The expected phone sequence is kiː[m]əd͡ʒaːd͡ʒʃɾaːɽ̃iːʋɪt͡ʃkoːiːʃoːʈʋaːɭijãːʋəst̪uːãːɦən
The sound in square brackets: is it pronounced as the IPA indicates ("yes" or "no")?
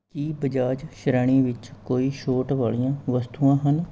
no